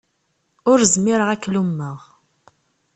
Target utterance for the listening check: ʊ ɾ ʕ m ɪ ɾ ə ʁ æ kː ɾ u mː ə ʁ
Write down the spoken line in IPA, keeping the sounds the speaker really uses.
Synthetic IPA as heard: ʊ ɾ z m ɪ ɾ ə ʁ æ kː l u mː ə ʁ